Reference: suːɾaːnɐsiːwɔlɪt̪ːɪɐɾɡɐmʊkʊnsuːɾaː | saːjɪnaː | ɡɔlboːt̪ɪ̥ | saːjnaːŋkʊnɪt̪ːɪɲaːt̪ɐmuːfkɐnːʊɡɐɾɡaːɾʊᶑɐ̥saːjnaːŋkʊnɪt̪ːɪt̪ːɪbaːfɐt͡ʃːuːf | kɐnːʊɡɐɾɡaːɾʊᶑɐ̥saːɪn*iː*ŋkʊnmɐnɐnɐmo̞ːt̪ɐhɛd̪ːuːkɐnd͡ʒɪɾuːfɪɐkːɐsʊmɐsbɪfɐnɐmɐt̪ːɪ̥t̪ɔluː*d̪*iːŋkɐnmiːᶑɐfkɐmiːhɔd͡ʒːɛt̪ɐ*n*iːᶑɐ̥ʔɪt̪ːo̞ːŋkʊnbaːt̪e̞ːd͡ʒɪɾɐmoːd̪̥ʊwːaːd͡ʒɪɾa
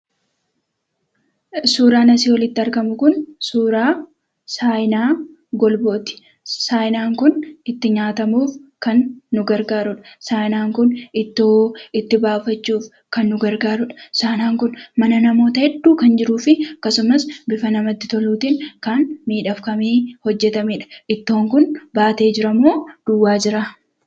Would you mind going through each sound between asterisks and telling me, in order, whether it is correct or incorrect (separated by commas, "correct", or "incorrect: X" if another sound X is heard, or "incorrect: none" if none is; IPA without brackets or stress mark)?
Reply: incorrect: aː, incorrect: t̪, incorrect: m